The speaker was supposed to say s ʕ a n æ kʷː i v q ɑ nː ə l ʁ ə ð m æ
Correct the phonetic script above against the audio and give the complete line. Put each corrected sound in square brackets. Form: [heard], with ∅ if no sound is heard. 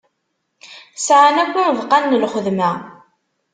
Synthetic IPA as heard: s ʕ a n æ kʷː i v q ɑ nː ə l [χ] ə ð m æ